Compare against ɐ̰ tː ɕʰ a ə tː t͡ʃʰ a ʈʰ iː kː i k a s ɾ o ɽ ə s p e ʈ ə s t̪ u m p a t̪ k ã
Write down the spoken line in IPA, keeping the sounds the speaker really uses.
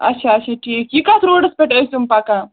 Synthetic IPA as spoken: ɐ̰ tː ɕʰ a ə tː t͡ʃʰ a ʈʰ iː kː i k a s ɾ o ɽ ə s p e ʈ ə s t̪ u m p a k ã